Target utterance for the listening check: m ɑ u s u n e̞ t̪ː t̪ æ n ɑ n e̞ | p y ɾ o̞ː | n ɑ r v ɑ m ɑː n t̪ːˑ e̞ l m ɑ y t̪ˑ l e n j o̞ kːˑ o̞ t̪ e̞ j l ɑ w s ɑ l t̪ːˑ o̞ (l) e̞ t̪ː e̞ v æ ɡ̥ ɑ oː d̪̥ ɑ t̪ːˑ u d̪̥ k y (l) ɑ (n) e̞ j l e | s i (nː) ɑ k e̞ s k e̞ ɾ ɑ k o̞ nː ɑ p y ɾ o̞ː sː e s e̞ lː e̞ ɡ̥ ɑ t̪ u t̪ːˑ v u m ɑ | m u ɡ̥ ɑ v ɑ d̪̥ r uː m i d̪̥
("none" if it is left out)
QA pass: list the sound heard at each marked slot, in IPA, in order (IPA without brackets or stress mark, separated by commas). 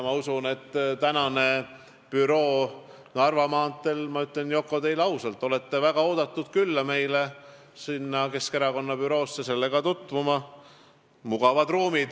l, lː, m, nː